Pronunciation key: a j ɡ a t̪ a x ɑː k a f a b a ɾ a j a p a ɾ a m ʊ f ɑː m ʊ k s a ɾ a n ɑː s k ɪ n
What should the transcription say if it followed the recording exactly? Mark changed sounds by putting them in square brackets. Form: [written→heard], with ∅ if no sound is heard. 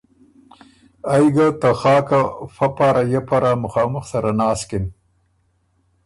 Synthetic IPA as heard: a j ɡ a t̪ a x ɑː k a f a [b→p] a ɾ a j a p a ɾ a m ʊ [f→x] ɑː m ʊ [k→x] s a ɾ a n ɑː s k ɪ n